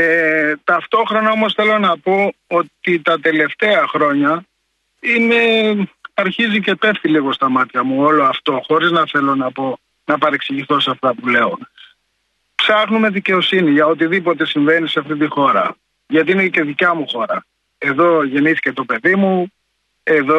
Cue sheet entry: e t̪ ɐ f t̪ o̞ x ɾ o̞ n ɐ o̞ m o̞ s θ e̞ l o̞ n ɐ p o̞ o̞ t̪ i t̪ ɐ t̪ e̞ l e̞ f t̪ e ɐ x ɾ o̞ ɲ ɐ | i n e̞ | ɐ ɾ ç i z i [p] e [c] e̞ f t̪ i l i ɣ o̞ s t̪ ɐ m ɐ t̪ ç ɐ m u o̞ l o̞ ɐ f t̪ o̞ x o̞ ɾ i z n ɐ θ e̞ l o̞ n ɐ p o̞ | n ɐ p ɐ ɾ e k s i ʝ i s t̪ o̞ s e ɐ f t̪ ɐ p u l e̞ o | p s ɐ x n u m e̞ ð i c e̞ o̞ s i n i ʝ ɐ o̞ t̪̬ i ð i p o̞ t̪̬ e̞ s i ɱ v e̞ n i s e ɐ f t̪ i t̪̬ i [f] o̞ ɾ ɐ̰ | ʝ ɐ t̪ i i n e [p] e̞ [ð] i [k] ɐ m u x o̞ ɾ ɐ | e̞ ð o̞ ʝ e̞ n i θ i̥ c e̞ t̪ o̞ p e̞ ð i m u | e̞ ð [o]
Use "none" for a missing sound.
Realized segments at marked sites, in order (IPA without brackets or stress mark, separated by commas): c, p, x, c, ð, c, o